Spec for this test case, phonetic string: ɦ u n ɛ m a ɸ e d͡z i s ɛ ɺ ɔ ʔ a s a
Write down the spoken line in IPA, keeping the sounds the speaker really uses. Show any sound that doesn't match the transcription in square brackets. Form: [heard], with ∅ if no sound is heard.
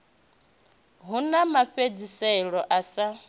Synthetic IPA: ɦ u n [a] m a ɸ e d͡z i s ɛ ɺ ɔ ʔ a s a